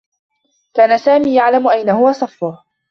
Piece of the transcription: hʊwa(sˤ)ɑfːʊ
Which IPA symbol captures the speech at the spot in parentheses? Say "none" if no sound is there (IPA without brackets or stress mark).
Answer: sˤ